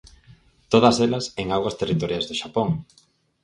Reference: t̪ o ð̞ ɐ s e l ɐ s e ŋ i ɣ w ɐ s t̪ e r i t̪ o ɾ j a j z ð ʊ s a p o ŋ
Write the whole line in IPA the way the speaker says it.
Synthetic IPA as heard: t̪ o ð̞ ɐ s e l ɐ s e ŋ a ɣ w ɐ s t̪ e r i t̪ o ɾ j a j z ð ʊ ʃ a p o ŋ